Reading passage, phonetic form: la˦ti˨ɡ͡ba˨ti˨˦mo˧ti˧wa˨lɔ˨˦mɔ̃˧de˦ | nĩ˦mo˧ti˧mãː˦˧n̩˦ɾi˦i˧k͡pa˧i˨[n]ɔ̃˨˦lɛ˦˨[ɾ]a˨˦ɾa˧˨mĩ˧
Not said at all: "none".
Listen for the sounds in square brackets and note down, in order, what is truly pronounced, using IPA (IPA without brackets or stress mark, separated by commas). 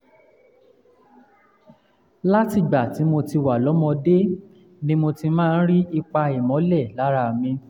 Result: m, l